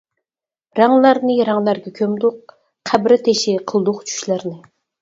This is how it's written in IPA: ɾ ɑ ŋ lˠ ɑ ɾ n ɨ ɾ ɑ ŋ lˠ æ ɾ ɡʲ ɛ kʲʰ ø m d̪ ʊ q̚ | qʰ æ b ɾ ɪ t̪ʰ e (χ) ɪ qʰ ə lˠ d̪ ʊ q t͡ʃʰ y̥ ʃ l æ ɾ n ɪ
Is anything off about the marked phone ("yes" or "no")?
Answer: yes